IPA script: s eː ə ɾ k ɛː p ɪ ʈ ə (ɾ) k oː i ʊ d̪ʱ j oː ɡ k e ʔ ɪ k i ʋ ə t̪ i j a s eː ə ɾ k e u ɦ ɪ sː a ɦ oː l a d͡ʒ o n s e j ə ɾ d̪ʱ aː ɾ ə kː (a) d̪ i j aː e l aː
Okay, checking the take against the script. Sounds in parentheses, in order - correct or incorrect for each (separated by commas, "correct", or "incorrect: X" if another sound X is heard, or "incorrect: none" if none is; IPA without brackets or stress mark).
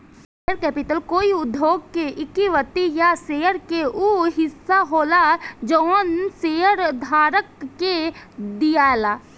incorrect: l, incorrect: e